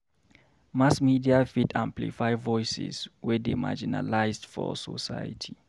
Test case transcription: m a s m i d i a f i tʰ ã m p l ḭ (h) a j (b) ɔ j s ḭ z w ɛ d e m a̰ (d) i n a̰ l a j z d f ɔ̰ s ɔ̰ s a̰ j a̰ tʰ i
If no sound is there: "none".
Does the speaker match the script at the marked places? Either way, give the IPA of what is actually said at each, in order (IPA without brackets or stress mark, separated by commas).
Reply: f, v, d͡ʒ